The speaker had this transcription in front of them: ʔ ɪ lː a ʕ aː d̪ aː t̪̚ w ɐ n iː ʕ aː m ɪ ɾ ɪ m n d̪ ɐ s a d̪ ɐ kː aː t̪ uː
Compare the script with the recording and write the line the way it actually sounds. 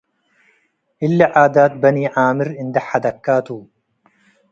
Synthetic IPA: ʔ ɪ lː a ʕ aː d̪ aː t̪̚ b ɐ n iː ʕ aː m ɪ ɾ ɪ n d̪ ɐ ħ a d̪ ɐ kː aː t̪ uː